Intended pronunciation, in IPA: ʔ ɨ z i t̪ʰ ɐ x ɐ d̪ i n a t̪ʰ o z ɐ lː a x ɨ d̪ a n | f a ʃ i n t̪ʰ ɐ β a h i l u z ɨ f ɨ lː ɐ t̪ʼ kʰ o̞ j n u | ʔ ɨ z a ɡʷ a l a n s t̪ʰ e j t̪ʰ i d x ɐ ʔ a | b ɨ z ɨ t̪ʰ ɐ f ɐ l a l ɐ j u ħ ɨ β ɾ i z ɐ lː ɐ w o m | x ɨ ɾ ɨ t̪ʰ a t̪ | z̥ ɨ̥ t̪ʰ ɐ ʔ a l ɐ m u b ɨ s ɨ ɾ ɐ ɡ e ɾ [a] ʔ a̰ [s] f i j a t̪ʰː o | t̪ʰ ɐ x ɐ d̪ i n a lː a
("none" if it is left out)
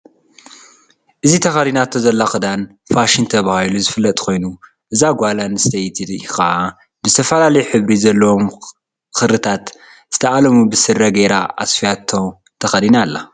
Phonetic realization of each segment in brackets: a, s

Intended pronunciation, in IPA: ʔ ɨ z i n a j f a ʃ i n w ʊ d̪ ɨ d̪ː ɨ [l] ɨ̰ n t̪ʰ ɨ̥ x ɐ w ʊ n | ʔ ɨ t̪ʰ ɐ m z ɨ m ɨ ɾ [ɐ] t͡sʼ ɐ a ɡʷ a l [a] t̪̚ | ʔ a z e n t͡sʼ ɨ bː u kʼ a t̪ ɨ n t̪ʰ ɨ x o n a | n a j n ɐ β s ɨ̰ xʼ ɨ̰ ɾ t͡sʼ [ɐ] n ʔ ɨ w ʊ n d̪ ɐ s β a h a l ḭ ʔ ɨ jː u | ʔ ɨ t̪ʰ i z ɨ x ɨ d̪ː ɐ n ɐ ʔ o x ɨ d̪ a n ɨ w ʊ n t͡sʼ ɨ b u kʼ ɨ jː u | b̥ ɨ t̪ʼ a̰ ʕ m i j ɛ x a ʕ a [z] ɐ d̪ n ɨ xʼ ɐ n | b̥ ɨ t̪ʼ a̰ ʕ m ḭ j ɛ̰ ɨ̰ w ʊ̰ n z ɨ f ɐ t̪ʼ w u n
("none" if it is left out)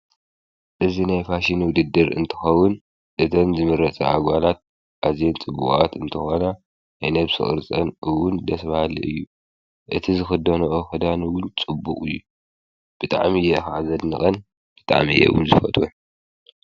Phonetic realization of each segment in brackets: ɾ, ɐ, a, ɐ, z

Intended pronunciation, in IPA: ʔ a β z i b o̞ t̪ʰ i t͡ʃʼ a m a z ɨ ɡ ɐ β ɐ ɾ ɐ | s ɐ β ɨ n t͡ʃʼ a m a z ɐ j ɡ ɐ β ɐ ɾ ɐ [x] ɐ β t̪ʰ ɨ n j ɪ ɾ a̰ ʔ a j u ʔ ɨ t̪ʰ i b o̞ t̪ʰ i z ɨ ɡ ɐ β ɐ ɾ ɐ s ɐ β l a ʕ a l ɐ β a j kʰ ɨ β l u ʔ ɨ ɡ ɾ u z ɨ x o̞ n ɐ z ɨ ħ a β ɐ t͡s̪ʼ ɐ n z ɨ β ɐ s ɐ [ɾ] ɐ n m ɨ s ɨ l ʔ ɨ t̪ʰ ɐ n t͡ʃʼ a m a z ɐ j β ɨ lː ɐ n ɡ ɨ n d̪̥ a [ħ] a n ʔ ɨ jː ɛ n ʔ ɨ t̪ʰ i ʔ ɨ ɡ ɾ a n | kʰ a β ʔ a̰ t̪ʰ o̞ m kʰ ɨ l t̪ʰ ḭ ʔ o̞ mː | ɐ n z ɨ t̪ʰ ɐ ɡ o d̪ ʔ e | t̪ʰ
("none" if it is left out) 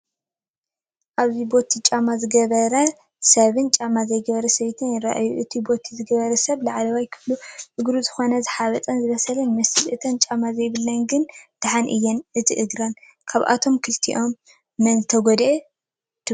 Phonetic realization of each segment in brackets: s, l, ħ

